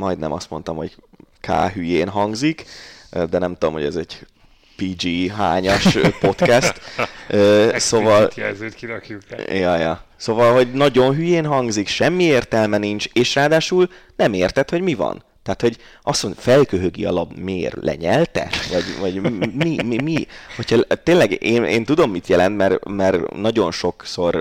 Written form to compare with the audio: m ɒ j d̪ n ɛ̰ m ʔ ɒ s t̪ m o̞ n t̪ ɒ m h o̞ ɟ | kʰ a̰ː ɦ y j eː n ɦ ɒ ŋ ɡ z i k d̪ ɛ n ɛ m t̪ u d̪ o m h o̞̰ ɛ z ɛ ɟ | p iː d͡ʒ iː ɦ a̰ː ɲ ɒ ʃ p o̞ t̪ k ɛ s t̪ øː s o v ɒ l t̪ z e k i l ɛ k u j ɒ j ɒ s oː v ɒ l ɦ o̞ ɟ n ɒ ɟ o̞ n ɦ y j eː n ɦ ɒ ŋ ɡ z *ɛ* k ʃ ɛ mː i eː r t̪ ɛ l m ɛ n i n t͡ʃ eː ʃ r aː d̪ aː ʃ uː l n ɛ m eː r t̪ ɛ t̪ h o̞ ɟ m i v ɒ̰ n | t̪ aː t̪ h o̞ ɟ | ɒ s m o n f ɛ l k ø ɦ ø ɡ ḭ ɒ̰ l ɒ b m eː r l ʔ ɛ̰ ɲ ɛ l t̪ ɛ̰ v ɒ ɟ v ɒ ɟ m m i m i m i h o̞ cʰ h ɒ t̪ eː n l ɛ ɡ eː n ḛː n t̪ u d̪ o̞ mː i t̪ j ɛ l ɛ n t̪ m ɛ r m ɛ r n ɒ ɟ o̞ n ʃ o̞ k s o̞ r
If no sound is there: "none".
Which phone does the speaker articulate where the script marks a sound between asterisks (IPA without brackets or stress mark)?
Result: i